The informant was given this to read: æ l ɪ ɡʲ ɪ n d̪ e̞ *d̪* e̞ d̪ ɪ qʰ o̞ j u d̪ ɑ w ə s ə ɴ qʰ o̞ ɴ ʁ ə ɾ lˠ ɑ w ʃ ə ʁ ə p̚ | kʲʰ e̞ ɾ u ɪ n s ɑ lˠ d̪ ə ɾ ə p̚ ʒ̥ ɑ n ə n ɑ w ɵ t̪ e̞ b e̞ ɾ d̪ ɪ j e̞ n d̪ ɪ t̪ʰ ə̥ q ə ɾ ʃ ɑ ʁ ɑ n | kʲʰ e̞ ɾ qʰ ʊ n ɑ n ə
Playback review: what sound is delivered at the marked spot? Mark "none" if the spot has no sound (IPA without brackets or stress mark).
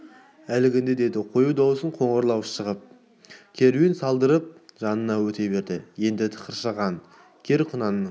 d̪